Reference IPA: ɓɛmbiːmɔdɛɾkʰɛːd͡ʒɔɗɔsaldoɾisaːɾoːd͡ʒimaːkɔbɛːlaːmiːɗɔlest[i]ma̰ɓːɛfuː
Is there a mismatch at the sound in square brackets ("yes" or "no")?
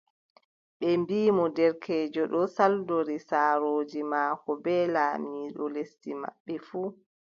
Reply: no